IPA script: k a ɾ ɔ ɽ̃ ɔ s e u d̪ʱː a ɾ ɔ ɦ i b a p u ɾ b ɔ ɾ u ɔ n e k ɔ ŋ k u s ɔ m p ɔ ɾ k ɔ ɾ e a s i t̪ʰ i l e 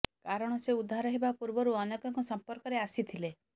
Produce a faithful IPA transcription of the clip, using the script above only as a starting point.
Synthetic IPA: k a ɾ ɔ ɽ̃ ɔ s e u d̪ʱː a ɾ ɔ ɦ e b a p u ɾ b ɔ ɾ u ɔ n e k ɔ ŋ k ɔ s ɔ m p ɔ ɾ k ɔ ɾ e a s i t̪ʰ i l e